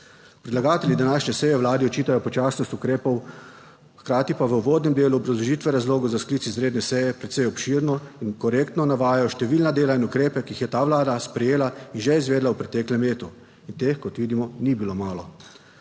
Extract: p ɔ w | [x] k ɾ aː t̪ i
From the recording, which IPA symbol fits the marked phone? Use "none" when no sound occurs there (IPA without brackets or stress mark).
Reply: x